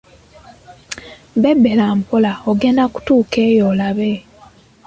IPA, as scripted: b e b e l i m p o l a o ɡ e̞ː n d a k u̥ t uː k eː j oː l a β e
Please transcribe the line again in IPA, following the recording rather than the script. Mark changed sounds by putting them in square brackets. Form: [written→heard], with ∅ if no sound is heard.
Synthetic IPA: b e b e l [i→a] m p o l a o ɡ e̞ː n d a k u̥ t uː k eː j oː l a β e